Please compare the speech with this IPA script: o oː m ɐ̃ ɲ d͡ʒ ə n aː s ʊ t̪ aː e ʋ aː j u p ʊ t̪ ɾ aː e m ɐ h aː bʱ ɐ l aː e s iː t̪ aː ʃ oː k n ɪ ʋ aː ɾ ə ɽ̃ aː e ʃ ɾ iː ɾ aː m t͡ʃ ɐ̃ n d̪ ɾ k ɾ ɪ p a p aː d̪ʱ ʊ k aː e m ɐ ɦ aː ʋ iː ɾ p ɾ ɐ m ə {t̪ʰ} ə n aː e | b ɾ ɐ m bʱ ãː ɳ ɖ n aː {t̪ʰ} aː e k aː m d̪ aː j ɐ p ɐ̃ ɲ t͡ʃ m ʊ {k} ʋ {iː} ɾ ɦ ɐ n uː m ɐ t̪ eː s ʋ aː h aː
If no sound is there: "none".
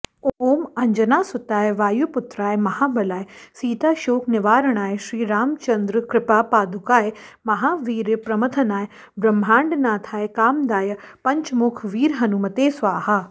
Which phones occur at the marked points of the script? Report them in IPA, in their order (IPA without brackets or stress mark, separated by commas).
t̪ʰ, t̪ʰ, kʰ, iː